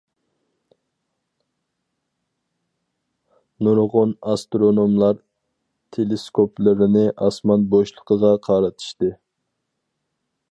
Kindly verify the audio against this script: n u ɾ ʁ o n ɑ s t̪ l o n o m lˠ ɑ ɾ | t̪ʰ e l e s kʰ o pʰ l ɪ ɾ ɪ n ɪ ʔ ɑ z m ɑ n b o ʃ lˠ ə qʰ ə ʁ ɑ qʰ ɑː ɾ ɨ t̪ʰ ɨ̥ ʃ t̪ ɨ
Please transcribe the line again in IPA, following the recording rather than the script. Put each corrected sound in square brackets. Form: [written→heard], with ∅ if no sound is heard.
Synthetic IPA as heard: n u ɾ ʁ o n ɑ s t̪ [l→ɾ] o n o m lˠ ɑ ɾ | t̪ʰ e l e s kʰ o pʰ l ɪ ɾ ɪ n ɪ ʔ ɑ [z→s] m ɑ n b o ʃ lˠ ə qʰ ə ʁ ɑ qʰ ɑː ɾ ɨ t̪ʰ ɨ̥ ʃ t̪ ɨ

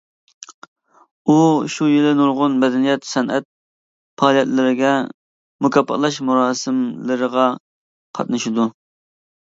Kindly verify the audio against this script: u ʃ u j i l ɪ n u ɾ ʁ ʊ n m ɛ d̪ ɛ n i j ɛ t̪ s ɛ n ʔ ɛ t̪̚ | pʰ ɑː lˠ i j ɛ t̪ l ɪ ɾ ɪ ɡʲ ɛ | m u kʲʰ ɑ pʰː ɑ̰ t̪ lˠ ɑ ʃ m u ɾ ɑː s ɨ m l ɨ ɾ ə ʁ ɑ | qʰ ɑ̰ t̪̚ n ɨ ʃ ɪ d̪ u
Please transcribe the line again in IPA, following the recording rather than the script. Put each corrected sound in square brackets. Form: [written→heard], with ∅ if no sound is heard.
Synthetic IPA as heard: u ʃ u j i l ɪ n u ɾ ʁ ʊ n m ɛ d̪ ɛ n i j ɛ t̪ s ɛ n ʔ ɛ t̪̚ | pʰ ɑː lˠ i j ɛ t̪ l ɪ ɾ ɪ ɡʲ ɛ | m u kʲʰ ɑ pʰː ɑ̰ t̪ lˠ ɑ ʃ m u ɾ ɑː s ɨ m l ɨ ɾ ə ʁ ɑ | qʰ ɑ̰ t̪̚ n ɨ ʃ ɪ d̪ u

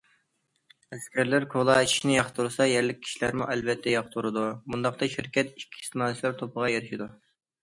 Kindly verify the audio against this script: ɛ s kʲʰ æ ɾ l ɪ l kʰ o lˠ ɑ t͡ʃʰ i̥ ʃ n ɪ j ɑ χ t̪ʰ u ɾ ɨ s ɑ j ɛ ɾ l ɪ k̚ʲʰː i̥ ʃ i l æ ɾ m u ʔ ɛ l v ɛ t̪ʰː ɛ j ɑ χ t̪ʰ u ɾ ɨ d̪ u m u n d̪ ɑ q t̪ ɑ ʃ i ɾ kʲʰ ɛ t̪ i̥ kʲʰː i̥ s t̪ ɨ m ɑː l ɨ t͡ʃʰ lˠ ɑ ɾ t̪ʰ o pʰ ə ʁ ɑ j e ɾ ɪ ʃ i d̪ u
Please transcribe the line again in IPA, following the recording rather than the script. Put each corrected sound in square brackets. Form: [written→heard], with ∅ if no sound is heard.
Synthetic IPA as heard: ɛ s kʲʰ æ ɾ l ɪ [l→ɾ] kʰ o lˠ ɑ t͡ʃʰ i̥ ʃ n ɪ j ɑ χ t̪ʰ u ɾ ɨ s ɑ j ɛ ɾ l ɪ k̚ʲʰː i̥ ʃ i l æ ɾ m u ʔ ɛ l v ɛ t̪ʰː ɛ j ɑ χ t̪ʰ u ɾ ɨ d̪ u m u n d̪ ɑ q t̪ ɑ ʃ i ɾ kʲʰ ɛ t̪ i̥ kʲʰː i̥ s t̪ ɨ m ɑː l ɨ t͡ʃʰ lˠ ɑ ɾ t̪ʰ o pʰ ə ʁ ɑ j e ɾ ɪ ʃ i d̪ u

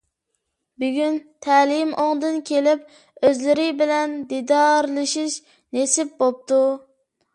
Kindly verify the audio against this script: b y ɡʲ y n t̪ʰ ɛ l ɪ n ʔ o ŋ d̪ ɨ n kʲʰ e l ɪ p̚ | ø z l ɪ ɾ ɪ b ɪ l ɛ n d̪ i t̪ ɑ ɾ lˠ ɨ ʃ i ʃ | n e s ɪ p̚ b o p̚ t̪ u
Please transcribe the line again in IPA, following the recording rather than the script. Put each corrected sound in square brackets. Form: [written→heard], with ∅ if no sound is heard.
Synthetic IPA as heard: b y ɡʲ y n t̪ʰ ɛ l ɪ [n→m] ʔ o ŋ d̪ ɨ n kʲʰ e l ɪ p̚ | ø z l ɪ ɾ ɪ b ɪ l ɛ n d̪ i [t̪→d̪] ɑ ɾ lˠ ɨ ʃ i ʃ | n e s ɪ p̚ b o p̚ t̪ u

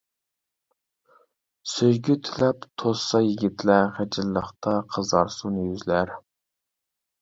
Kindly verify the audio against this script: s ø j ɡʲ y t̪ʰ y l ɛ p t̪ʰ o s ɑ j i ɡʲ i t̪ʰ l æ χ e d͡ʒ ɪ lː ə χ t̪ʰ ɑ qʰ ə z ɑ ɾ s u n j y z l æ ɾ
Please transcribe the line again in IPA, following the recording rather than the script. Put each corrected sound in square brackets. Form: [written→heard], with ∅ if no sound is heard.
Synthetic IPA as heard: s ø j ɡʲ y t̪ʰ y l ɛ p t̪ʰ o s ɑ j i ɡʲ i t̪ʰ l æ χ [e→æ] d͡ʒ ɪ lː ə χ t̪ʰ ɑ qʰ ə z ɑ ɾ s u n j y z l æ ɾ

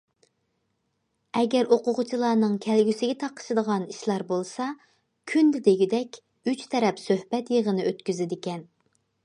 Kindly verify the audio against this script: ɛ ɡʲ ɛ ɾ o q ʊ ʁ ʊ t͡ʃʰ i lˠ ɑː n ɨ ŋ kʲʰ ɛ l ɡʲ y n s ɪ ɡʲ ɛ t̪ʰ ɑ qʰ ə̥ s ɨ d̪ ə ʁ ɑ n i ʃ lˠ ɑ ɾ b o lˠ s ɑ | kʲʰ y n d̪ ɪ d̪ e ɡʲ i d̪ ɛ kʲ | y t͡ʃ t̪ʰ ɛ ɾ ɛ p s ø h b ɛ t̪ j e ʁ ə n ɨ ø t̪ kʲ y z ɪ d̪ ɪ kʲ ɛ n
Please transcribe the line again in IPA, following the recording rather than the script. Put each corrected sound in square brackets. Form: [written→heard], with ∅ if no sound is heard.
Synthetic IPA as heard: ɛ ɡʲ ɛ ɾ o q ʊ ʁ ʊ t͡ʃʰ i lˠ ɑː n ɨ ŋ kʲʰ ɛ l ɡʲ y [n→∅] s ɪ ɡʲ ɛ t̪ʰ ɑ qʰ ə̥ [s→ʃ] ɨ d̪ ə ʁ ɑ n i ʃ lˠ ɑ ɾ b o lˠ s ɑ | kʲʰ y n d̪ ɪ d̪ e ɡʲ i d̪ ɛ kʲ | y t͡ʃ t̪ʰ ɛ ɾ ɛ p s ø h b ɛ t̪ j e ʁ ə n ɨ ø t̪ kʲ y z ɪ d̪ ɪ kʲ ɛ n

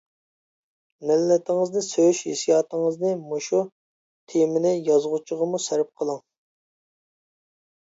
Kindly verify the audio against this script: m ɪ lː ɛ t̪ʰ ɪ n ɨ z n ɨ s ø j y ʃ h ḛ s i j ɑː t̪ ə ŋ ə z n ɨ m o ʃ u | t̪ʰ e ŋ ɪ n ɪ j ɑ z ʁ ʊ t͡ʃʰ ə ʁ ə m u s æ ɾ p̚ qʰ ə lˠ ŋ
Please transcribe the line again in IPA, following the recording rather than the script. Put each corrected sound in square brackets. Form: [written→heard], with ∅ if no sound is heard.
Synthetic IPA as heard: m ɪ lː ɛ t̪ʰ ɪ [n→ŋ] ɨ z n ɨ s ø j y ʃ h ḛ s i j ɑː t̪ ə ŋ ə z n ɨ m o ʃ u | t̪ʰ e [ŋ→m] ɪ n ɪ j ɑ z ʁ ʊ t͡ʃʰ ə ʁ ə m u s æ ɾ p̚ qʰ ə lˠ ŋ

